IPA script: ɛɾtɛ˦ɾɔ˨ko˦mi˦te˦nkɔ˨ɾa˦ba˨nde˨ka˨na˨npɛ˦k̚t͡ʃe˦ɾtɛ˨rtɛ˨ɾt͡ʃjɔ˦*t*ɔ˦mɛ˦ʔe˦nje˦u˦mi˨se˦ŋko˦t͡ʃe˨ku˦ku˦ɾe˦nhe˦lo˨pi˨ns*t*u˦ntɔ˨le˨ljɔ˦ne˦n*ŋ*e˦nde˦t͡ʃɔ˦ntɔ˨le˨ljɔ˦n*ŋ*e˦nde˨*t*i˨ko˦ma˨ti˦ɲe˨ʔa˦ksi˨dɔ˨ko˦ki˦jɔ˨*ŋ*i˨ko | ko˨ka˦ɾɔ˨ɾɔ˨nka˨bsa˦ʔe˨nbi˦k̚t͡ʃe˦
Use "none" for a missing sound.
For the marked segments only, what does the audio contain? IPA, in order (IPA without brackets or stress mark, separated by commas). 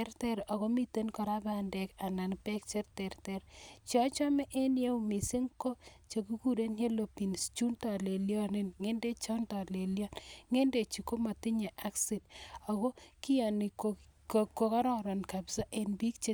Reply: t͡ʃ, t͡ʃ, ŋ, ŋ, t͡ʃ, n